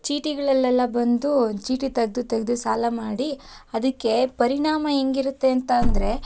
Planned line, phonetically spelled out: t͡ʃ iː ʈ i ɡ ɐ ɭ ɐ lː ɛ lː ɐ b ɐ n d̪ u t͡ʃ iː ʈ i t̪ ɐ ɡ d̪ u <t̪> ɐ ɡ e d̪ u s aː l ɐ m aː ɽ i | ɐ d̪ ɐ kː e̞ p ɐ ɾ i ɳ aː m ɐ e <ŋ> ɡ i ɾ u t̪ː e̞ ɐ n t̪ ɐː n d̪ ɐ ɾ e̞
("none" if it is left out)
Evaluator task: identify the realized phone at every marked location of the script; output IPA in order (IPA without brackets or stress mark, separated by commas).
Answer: t̪, ŋ